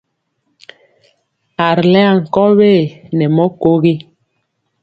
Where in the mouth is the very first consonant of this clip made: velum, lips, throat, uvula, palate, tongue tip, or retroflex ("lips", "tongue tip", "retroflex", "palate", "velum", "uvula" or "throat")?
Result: tongue tip